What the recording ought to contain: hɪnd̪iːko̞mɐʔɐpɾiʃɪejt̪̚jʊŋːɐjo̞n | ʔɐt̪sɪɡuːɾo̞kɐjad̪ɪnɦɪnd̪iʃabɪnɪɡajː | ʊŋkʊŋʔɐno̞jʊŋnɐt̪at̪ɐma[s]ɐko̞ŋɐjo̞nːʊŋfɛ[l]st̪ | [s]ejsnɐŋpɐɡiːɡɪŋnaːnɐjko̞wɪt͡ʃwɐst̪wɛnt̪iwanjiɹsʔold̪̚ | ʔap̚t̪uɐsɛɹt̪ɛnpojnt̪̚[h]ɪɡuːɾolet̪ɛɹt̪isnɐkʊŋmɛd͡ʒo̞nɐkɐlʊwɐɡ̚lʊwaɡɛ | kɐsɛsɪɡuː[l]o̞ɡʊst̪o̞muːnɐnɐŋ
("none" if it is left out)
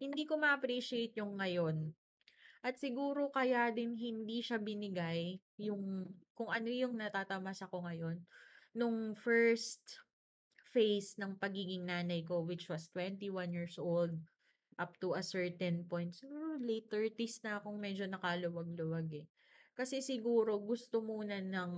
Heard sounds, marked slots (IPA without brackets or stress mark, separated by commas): s, ɹ, f, s, ɾ